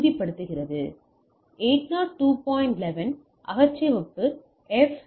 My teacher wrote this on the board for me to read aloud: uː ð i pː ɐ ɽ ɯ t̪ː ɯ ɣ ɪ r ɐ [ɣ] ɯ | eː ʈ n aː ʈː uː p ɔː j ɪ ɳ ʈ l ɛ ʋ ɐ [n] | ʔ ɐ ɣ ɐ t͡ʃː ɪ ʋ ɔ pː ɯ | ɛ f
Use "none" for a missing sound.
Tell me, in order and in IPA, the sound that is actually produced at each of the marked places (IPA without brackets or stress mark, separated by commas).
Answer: ð, n